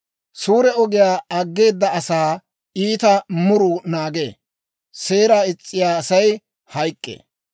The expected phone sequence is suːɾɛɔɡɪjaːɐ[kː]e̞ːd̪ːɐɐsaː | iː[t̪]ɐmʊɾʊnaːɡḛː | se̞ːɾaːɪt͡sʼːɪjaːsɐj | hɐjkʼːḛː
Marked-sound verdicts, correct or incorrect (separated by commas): incorrect, correct